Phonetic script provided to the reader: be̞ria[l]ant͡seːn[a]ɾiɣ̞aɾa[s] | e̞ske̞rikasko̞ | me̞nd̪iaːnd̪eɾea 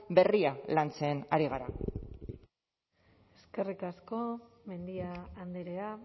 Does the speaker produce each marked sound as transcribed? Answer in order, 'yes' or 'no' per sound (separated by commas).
yes, yes, no